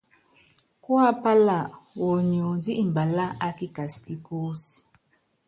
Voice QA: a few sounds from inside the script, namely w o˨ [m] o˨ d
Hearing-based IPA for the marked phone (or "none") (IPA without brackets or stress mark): ɲ